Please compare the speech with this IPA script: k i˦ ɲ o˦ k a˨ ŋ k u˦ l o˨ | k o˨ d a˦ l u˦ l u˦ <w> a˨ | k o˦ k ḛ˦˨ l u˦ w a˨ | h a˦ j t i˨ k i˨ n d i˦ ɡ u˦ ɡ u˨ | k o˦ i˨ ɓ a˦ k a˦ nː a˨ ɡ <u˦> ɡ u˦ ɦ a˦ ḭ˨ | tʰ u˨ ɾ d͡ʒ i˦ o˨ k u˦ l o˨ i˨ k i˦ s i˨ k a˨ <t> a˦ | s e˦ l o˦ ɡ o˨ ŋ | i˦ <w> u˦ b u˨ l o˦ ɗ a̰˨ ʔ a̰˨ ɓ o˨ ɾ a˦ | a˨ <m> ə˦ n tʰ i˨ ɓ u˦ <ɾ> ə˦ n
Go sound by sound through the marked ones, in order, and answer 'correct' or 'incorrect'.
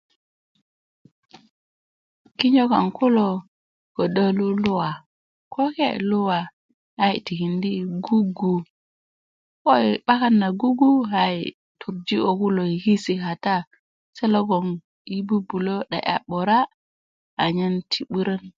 correct, correct, correct, incorrect: b, incorrect: ɲ, correct

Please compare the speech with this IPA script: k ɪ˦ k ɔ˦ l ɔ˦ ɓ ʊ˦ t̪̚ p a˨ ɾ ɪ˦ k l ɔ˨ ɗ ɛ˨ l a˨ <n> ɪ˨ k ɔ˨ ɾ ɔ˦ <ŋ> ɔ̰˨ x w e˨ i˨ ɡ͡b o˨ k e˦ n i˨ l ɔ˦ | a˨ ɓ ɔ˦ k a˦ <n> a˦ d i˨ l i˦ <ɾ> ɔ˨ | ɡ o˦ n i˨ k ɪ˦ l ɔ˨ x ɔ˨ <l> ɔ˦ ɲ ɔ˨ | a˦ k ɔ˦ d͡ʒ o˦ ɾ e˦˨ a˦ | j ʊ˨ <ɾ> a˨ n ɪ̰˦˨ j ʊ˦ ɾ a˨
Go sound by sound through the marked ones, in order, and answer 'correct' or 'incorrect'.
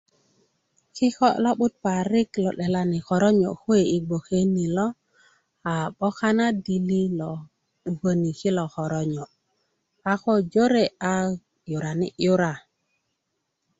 correct, incorrect: ɲ, correct, incorrect: l, incorrect: ɾ, correct

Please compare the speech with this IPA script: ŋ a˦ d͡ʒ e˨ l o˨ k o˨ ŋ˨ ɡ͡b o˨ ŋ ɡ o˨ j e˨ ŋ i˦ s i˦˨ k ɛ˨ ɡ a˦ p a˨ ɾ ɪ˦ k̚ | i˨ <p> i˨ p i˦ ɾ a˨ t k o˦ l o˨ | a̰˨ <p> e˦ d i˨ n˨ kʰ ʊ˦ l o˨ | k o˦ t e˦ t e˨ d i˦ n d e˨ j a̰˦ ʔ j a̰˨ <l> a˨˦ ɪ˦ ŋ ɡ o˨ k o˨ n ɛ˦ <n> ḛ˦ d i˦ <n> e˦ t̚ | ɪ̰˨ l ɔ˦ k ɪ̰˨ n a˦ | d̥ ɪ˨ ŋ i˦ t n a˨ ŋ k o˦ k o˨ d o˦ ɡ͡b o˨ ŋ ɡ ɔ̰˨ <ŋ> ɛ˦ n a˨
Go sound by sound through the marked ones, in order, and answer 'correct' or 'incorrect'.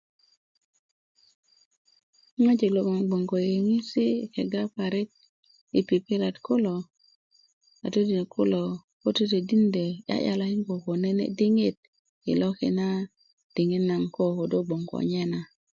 correct, incorrect: t, correct, correct, incorrect: ŋ, incorrect: ɲ

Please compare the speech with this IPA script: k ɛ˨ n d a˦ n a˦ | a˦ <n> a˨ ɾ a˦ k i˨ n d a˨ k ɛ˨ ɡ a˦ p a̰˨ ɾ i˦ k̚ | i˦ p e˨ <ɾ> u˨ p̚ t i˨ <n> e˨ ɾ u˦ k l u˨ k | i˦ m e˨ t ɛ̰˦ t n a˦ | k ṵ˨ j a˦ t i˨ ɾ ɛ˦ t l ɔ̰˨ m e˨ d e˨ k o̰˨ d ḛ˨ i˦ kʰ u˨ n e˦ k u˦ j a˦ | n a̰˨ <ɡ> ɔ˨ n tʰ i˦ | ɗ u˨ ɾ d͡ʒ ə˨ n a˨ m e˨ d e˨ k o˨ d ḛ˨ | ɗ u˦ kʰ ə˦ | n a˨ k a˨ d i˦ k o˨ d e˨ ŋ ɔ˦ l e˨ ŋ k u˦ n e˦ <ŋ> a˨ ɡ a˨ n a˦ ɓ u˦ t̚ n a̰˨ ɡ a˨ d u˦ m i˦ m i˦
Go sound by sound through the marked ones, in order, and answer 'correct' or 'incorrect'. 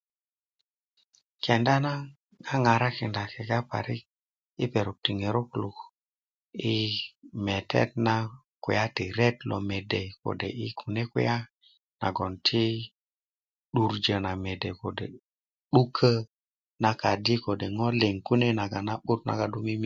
incorrect: ŋ, correct, incorrect: ŋ, correct, incorrect: n

